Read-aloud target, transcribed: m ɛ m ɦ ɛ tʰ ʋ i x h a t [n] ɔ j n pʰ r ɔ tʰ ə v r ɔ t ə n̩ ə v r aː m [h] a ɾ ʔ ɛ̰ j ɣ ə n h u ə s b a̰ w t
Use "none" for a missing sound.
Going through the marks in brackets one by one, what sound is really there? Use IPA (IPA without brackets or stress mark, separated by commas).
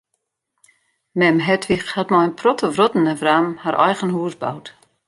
m, h